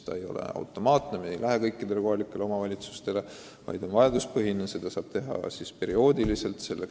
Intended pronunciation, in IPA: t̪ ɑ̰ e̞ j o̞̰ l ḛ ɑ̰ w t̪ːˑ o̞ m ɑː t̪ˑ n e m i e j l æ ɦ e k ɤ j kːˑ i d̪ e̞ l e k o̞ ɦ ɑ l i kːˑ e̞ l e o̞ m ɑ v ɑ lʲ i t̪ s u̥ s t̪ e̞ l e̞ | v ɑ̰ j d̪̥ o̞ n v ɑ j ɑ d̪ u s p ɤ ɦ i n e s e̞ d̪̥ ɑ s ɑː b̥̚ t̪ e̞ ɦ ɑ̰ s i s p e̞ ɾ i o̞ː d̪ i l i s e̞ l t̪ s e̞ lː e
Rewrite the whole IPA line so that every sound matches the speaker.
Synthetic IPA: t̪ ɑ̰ e̞ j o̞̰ l ḛ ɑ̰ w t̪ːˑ o̞ m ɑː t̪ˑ n e m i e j l æ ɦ e k ɤ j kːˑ i d̪ e̞ l e k o̞ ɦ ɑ l i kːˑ e̞ l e o̞ m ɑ v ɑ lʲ i t̪ s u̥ s t̪ e̞ l e̞ | v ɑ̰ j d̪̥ o̞ n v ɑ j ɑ d̪ u s p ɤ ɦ i n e s e̞ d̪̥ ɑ s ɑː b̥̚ t̪ e̞ ɦ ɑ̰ s i s p e̞ ɾ i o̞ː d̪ i l i s e̞ l t̪ s e̞ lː e